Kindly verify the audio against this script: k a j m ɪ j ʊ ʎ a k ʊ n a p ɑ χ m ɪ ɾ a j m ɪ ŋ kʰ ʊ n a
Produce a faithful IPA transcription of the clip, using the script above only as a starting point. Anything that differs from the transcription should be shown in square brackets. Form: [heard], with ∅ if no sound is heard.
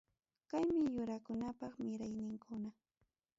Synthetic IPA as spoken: k a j m ɪ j ʊ [ɾ] a k ʊ n a p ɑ χ m ɪ ɾ a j [n] ɪ ŋ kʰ ʊ n a